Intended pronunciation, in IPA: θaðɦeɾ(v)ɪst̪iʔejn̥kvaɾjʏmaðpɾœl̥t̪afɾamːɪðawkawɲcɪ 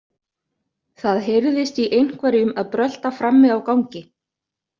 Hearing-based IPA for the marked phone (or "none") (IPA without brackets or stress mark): ð